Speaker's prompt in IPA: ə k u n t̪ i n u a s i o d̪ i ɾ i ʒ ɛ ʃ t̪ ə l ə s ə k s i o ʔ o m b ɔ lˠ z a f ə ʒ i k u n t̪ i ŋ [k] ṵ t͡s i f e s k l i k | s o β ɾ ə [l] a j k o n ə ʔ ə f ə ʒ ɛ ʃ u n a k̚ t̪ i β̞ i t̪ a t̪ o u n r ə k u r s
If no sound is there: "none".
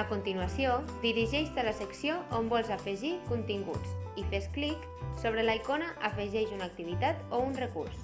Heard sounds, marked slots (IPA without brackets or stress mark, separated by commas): ɡ, l